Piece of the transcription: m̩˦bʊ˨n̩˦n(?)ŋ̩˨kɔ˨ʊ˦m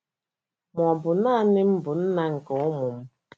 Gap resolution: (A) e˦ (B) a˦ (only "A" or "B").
B